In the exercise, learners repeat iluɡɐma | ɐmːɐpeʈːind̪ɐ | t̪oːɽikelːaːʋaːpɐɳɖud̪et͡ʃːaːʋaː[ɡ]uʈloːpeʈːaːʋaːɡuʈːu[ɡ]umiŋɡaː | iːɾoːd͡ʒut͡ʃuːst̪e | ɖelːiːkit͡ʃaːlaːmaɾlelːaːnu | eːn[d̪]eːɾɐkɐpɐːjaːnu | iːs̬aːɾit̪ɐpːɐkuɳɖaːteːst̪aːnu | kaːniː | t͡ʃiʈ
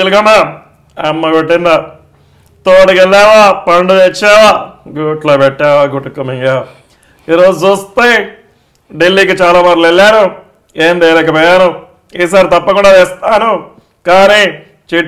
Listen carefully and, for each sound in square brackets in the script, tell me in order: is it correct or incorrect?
correct, incorrect, correct

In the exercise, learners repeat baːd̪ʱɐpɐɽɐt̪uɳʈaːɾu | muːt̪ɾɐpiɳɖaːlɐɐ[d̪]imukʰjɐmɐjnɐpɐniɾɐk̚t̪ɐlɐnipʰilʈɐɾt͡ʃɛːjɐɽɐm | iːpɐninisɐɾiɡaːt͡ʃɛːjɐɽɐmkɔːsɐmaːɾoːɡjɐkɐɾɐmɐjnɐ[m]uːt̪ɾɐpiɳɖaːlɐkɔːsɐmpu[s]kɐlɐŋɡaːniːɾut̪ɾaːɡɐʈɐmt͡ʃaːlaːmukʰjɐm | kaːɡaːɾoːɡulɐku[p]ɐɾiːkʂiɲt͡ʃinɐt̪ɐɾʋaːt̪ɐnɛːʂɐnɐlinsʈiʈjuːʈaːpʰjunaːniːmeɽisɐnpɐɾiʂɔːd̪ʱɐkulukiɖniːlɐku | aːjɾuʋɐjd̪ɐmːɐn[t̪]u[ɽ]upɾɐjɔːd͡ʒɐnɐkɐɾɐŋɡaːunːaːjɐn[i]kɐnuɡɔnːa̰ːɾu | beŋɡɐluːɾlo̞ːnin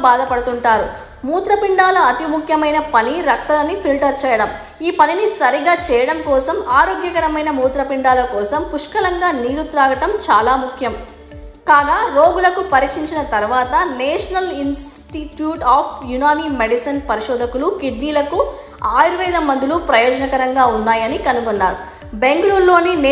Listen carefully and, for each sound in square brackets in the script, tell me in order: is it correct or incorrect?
incorrect, correct, incorrect, correct, incorrect, incorrect, correct

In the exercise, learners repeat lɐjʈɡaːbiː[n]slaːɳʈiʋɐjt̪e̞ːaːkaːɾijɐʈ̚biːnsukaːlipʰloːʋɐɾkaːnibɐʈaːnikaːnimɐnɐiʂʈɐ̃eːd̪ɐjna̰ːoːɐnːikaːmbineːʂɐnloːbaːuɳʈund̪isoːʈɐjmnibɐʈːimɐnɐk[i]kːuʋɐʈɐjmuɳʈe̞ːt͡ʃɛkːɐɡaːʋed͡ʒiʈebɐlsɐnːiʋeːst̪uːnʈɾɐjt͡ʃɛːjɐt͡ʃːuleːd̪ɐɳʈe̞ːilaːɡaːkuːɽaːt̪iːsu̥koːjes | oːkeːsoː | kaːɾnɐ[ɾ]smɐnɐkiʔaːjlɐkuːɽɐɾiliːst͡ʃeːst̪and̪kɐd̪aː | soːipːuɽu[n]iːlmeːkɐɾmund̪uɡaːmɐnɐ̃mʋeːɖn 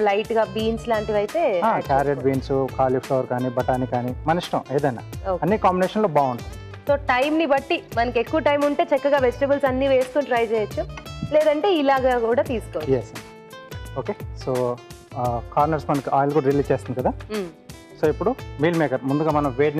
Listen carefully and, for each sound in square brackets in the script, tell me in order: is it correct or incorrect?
correct, incorrect, correct, incorrect

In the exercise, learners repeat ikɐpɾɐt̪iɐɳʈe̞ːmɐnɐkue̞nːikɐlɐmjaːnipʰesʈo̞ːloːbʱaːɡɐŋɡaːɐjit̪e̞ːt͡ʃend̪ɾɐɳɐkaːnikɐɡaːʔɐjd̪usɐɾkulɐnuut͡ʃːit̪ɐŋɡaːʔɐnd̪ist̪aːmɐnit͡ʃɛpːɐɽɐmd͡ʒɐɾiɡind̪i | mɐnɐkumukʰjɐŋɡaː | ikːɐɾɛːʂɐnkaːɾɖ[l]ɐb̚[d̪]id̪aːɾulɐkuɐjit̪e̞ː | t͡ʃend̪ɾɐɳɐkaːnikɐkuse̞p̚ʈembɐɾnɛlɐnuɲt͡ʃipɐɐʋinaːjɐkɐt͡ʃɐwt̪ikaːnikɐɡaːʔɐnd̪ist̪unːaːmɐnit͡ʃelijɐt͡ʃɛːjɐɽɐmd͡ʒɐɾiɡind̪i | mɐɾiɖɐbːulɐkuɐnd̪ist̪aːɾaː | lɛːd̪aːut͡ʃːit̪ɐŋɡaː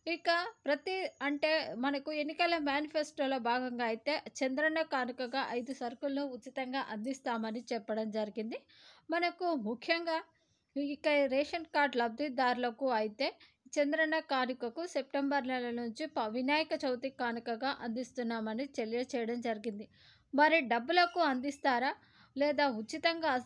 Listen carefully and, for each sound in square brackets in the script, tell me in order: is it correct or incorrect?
correct, correct

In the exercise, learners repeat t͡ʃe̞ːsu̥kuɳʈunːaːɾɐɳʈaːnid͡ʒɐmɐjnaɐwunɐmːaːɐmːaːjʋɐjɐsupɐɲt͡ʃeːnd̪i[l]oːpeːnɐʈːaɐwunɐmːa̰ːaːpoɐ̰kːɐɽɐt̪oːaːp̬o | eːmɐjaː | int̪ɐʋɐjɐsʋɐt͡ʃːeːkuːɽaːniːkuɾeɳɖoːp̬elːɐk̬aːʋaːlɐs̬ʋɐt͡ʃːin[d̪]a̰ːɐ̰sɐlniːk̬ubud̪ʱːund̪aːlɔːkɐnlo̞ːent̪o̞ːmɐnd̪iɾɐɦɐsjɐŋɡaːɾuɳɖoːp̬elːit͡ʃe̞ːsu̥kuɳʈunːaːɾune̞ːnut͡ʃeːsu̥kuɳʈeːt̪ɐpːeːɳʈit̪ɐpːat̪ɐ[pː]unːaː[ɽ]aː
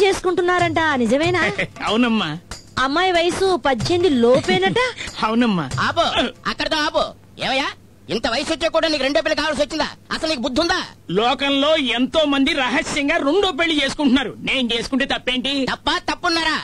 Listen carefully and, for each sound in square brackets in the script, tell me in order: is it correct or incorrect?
correct, correct, correct, incorrect

